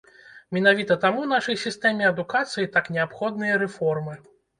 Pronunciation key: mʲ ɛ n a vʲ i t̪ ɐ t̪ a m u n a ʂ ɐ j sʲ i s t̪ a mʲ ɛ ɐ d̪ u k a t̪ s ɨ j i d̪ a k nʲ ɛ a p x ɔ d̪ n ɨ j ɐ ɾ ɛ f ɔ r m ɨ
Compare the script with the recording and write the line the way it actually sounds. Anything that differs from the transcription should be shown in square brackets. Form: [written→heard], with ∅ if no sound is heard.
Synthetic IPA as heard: mʲ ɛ n a vʲ i t̪ ɐ t̪ a m u n a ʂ ɐ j sʲ i s t̪ [a→ɛ] mʲ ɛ ɐ d̪ u k a t̪ s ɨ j i [d̪→t̪] a k nʲ ɛ a p x ɔ d̪ n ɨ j ɐ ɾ ɛ f ɔ r m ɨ